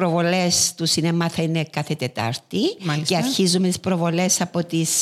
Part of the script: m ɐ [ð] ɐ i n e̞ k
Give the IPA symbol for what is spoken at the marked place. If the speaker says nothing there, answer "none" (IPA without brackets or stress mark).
θ